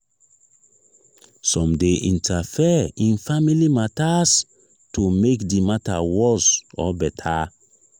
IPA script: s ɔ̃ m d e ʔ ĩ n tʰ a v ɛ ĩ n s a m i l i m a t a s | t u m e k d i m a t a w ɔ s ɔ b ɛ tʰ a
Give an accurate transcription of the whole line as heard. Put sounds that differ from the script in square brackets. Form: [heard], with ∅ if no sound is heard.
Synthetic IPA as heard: s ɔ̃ m d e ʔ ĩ n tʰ a [f] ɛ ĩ n [f] a m i l i m a t a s | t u m e k d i m a t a w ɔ s ɔ b ɛ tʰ a

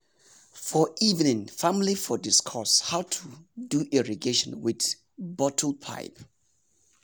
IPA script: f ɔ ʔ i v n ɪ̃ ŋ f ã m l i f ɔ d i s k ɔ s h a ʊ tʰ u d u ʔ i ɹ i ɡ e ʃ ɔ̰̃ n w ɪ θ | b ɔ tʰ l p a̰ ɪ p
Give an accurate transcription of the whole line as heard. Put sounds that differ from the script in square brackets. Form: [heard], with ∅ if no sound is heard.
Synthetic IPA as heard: f ɔ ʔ i v n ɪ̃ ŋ f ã m l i f ɔ d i s [kʰ] ɔ s h a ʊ tʰ u d u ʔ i ɹ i ɡ e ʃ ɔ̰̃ n w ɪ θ | b ɔ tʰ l [pʰ] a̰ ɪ p

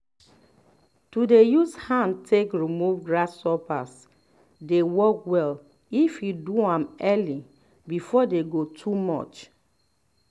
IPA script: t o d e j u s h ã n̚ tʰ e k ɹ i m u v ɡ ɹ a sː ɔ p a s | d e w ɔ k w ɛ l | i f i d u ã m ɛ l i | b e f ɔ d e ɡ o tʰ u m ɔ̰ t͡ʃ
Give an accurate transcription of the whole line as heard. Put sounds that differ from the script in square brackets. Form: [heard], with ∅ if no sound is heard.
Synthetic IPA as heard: t [u] d e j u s h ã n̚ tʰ e k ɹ i m u v ɡ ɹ a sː ɔ p a s | d e w ɔ k w ɛ l | i f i d u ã m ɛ l i | b [i] f ɔ d e ɡ o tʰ u m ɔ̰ t͡ʃ

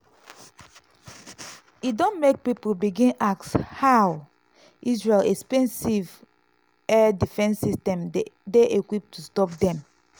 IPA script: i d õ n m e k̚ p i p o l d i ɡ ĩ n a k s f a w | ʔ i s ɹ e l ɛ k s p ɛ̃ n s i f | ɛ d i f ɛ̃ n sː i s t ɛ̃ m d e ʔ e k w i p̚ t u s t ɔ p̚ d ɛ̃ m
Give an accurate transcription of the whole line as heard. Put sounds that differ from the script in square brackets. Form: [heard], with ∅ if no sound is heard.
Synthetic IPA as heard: i d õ n m e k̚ p i p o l [b] i ɡ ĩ n a k s [h] a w | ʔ i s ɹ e l ɛ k s p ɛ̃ n s i [v] | ɛ d i f ɛ̃ n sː i s t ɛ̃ m d e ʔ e k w i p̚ t u s t ɔ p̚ d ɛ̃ m

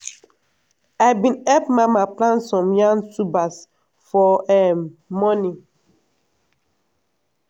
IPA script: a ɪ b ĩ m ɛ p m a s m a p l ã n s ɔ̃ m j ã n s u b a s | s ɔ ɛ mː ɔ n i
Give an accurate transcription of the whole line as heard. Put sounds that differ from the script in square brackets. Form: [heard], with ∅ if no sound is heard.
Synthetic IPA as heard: a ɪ b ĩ [n] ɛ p m a [∅] m a p l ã n s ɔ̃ m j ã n s u b a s | [f] ɔ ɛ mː ɔ n i

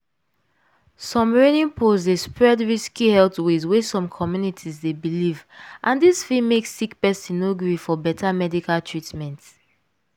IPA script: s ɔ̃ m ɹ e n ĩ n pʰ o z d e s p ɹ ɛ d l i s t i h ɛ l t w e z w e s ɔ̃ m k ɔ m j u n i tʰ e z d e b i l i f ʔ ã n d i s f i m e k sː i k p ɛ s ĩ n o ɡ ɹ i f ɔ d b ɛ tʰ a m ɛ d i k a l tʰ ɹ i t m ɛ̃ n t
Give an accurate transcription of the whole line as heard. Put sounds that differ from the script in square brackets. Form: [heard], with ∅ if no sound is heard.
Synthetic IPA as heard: s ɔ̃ m ɹ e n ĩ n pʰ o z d e s p ɹ ɛ d [ɹ] i s [k] i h ɛ l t w e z w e s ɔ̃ m [kʰ] ɔ m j u n i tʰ [i] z d e b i l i [v] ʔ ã n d i s f i m e k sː i k p ɛ s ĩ n o ɡ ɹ i f ɔ [∅] b ɛ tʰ a m ɛ d i k a l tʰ ɹ i t m ɛ̃ n t

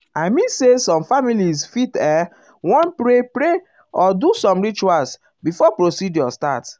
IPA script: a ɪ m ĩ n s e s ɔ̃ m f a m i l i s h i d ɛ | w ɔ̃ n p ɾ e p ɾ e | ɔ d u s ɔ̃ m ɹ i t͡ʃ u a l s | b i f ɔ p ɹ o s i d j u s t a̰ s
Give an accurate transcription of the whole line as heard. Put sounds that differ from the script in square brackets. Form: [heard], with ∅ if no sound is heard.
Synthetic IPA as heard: a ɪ m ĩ n s e s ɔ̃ m f a m i l i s [f] i [t] ɛ | w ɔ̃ n p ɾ e p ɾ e | ɔ d u s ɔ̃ m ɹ i t͡ʃ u a l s | b i f ɔ p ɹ o s i d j [ɔ] s t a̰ [t]

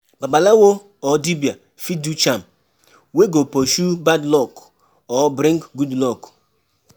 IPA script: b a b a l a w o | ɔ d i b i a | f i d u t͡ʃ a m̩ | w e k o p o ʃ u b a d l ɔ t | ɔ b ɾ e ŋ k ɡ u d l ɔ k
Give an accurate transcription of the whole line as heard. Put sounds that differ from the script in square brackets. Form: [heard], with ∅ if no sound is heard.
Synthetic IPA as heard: b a b a l a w o | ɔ d i b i a | f i d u t͡ʃ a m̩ | w e [ɡ] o p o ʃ u b a d l ɔ [k] | ɔ b ɾ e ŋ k ɡ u d l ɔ k

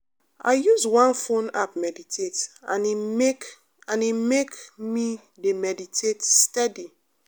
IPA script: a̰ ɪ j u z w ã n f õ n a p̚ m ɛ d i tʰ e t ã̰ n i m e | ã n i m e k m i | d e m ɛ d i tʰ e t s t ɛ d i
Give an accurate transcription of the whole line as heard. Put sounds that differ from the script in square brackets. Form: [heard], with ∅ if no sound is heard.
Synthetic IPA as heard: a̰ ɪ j u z w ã n f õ n a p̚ m ɛ d i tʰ e t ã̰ n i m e | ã n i m e k m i | d e m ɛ d i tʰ e t s t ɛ d i

